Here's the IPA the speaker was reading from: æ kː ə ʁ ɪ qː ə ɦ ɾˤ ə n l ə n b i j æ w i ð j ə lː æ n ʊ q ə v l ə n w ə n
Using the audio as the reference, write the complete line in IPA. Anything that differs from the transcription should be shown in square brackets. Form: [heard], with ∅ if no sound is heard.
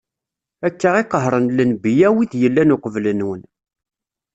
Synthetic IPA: æ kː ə ʁ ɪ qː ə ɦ ɾˤ ə n l ə n b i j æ w i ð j ə lː æ n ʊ q ə v l ə n w ə n